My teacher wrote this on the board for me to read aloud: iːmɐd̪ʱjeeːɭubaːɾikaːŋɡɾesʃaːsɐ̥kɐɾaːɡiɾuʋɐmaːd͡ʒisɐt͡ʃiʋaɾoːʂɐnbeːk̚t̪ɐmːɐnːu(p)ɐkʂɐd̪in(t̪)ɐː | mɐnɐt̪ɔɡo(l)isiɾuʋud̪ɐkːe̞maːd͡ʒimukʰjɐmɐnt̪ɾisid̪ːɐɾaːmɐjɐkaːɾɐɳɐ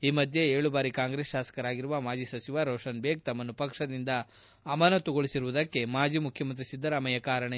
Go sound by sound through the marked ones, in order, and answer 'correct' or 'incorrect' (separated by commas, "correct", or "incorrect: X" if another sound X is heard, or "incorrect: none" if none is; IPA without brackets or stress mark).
correct, incorrect: d̪, incorrect: ɭ